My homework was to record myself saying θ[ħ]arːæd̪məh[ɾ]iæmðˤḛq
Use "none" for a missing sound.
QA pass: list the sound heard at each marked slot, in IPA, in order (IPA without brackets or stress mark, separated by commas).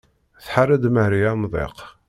ħ, ɾ